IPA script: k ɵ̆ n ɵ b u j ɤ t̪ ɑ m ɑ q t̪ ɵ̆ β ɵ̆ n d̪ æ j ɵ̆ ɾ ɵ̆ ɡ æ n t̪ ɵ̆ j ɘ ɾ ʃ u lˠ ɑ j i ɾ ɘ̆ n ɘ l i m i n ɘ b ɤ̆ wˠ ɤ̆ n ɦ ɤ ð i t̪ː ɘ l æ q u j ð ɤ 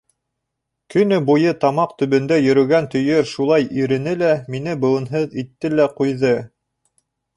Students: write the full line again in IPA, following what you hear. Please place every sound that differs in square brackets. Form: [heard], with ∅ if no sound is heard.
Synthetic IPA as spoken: k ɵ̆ n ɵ b u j ɤ t̪ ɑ m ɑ q t̪ ɵ̆ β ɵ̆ n d̪ æ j ɵ̆ ɾ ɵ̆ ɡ æ n t̪ ɵ̆ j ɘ ɾ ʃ u lˠ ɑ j i ɾ ɘ̆ n ɘ l [æ] m i n ɘ b ɤ̆ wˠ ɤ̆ n ɦ ɤ ð i t̪ː ɘ l æ q u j ð ɤ